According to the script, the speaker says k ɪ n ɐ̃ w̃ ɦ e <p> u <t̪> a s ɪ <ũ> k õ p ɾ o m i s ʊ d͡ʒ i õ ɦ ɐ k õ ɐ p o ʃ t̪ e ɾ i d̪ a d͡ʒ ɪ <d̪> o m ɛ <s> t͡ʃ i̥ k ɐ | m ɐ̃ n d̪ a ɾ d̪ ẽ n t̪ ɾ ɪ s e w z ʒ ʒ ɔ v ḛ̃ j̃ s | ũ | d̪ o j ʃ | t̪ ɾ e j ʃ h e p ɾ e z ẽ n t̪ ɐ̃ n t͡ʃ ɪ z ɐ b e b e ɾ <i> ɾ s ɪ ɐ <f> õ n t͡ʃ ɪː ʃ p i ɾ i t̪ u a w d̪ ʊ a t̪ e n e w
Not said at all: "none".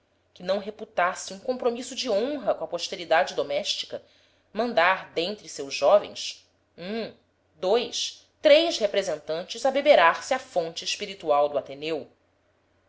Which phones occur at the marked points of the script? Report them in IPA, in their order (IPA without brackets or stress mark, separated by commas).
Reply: p, t̪, ũ, d̪, ʃ, a, f